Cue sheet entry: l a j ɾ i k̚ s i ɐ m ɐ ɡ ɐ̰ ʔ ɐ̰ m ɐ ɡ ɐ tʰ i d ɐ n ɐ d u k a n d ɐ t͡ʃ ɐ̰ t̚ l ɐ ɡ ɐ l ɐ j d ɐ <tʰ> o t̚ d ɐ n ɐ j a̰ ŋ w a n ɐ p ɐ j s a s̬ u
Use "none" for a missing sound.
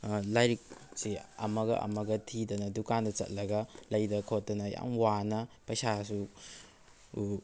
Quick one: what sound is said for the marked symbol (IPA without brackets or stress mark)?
kʰ